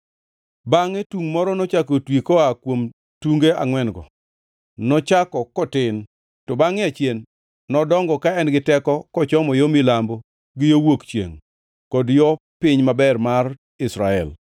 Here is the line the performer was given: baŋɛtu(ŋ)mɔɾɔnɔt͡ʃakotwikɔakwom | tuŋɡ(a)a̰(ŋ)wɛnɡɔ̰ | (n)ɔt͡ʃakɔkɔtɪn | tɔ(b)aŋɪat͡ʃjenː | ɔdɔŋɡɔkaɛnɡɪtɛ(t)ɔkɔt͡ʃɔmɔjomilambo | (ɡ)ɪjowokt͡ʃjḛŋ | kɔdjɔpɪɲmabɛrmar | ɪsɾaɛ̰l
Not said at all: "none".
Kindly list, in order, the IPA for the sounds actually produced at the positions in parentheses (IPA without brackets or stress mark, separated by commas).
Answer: ŋ, e, ŋ, n, b, k, ɡ